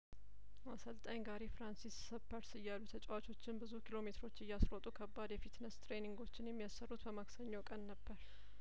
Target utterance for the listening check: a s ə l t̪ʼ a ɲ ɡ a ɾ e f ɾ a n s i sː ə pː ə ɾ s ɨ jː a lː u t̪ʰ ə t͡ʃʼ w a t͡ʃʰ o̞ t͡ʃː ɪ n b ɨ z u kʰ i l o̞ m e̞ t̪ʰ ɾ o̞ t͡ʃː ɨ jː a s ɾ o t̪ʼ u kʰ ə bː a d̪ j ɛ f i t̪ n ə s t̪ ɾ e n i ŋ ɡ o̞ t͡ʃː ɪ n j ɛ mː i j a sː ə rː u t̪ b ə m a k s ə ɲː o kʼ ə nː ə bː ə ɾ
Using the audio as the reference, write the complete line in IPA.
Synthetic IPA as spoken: a s ə l t̪ʼ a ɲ ɡ a ɾ e f ɾ a n s i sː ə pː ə ɾ s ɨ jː a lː u t̪ʰ ə t͡ʃʼ w a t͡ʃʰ o̞ t͡ʃː ɪ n b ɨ z u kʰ i l o̞ m e̞ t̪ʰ ɾ o̞ t͡ʃː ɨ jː a s ɾ o t̪ʼ u kʰ ə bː a d̪ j ɛ f i t̪ n ə s t̪ ɾ e n i ŋ ɡ o̞ t͡ʃː ɪ n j ɛ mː i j a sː ə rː u t̪ b ə m a k s ə ɲː o kʼ ə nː ə bː ə ɾ

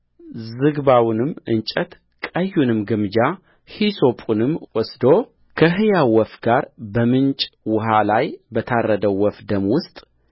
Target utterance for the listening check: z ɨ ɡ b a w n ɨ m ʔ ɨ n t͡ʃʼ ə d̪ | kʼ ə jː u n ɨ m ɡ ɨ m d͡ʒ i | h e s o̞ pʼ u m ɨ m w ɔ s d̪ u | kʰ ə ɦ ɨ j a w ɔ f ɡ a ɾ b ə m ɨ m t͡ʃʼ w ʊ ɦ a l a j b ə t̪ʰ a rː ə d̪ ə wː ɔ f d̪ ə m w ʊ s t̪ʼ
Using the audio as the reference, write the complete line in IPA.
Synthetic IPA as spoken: z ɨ ɡ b a w n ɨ m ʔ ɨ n t͡ʃʼ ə t̪ | kʼ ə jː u n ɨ m ɡ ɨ m d͡ʒ a | h i s o̞ pʼ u n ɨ m w ɔ s d̪ o | kʰ ə ɦ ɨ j a w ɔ f ɡ a ɾ b ə m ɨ n t͡ʃʼ w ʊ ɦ a l a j b ə t̪ʰ a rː ə d̪ ə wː ɔ f d̪ ə m w ʊ s t̪ʼ

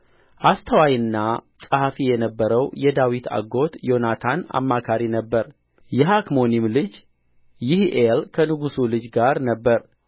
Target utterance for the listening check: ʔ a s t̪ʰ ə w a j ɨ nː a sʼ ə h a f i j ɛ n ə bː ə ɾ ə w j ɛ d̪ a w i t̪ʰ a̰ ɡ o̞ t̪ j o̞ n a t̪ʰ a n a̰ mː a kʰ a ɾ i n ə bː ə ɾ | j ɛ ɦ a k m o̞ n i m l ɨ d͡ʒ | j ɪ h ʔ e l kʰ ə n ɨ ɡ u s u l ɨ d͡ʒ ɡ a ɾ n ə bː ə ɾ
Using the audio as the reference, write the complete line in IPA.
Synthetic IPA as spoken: ʔ a s t̪ʰ ə w a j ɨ nː a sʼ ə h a f i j ɛ n ə bː ə ɾ ə w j ɛ d̪ a w i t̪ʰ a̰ ɡ o̞ t̪ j o̞ n a t̪ʰ a n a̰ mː a kʰ a ɾ i n ə bː ə ɾ | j ɛ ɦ a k m o̞ n i m l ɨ d͡ʒ | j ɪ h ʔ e l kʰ ə n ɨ ɡ u s u l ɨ d͡ʒ ɡ a ɾ n ə bː ə ɾ

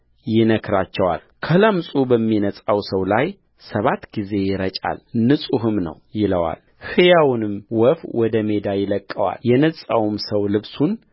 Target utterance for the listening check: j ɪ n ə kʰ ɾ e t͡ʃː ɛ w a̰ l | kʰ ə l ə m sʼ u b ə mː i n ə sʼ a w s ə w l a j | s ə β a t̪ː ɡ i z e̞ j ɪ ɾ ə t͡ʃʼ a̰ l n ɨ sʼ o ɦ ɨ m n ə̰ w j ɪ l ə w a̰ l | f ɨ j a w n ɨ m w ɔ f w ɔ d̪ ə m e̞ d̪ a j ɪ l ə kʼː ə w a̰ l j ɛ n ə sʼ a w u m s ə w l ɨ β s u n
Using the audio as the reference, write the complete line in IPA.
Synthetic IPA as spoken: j ɪ n ə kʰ ɾ a t͡ʃː ɛ w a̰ l | kʰ ə l ə m sʼ u b ə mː i n ə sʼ a w s ə w l a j | s ə β a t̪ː ɡ i z e̞ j ɪ ɾ ə t͡ʃʼ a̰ l n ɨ sʼ u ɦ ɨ m n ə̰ w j ɪ l ə w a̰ l | h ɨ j a w n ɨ m w ɔ f w ɔ d̪ ə m e̞ d̪ a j ɪ l ə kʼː ə w a̰ l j ɛ n ə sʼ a w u m s ə w l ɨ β s u n

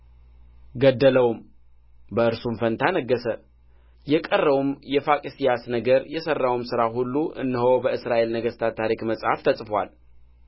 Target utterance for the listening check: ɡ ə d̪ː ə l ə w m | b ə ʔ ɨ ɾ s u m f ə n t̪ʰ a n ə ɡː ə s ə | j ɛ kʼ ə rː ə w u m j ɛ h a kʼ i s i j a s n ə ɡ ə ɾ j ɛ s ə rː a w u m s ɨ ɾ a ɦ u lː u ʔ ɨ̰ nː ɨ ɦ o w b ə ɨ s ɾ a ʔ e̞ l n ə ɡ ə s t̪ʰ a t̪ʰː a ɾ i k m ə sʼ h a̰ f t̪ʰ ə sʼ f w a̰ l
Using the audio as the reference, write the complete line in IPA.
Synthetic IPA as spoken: ɡ ə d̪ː ə l ə w m | b ə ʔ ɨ ɾ s u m f ə n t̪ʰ a n ə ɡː ə s ə | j ɛ kʼ ə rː ə w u m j ɛ f a kʼ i s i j a s n ə ɡ ə ɾ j ɛ s ə rː a w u m s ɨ ɾ a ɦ u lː u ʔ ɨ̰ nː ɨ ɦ o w b ə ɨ s ɾ a ʔ e̞ l n ə ɡ ə s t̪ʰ a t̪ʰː a ɾ i k m ə sʼ h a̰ f t̪ʰ ə sʼ f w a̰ l

